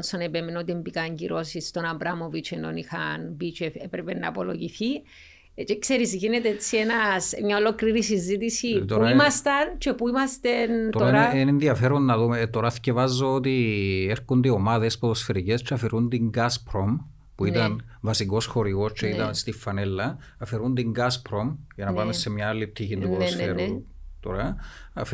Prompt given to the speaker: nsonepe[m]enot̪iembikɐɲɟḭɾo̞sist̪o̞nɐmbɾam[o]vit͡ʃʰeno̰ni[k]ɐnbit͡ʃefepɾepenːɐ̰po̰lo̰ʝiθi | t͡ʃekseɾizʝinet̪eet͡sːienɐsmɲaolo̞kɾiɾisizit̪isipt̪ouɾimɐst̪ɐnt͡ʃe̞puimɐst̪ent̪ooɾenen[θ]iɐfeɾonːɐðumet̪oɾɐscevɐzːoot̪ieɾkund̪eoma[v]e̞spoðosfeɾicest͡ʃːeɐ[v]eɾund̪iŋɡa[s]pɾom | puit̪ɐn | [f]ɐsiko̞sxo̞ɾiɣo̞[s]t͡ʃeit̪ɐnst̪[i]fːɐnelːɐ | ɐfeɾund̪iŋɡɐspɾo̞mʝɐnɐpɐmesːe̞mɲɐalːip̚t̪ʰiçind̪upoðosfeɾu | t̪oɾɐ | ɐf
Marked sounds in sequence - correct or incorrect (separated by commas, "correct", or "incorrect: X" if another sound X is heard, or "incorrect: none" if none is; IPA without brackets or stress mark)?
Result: correct, correct, incorrect: x, incorrect: ð, incorrect: ð, incorrect: f, correct, incorrect: v, correct, correct